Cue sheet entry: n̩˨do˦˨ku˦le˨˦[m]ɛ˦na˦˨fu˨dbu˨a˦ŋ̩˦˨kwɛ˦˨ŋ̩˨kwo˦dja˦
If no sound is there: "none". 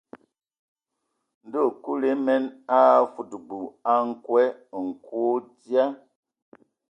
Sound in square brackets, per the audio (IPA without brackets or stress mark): m